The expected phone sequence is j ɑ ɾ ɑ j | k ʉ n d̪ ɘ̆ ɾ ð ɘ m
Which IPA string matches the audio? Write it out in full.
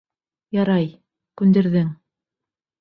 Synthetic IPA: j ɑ ɾ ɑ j | k ʉ n d̪ ɘ̆ ɾ ð ɘ ŋ